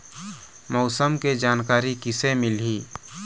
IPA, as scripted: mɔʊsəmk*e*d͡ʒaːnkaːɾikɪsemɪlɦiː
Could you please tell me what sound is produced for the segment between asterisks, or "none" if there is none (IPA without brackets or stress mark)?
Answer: e